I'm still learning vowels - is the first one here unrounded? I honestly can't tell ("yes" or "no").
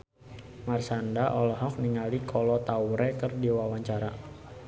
yes